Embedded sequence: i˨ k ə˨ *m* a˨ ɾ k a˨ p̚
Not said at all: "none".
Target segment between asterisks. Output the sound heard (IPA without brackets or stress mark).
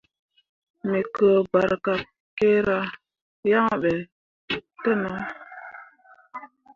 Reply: b